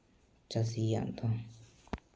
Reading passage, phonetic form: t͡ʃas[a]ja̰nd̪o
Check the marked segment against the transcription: incorrect: i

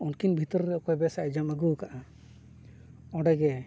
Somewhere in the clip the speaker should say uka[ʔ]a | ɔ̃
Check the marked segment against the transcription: correct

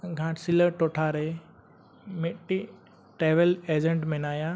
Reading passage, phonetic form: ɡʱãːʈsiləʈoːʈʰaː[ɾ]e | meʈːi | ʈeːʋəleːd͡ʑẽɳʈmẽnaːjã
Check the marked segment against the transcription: correct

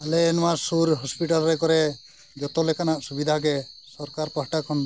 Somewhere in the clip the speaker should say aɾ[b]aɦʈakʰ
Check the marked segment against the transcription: incorrect: p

